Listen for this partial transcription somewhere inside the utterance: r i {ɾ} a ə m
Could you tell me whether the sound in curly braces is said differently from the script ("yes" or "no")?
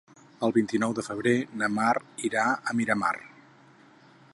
no